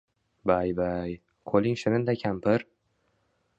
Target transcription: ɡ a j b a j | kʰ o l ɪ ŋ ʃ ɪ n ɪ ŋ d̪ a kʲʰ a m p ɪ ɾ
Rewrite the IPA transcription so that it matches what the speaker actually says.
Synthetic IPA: b a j b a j | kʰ o l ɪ ŋ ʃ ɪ n ɪ n d̪ a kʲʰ a m p ɪ ɾ